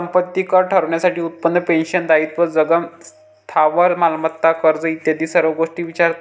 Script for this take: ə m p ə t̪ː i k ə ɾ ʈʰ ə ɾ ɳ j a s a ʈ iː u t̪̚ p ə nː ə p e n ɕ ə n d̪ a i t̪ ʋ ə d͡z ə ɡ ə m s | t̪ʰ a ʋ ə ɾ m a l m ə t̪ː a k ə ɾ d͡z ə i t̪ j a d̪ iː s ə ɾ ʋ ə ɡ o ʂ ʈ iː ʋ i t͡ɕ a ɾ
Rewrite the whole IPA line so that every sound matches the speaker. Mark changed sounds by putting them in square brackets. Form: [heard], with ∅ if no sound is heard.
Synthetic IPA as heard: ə m p ə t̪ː i k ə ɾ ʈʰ ə ɾ ɳ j a s a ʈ iː u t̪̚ p ə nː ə p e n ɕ ə n d̪ a i t̪ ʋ ə d͡z ə ɡ ə m s | t̪ʰ a ʋ ə ɾ m a l m ə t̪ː a k ə ɾ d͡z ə i t̪ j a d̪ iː s ə ɾ ʋ ə ɡ o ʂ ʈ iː ʋ i t͡ɕ a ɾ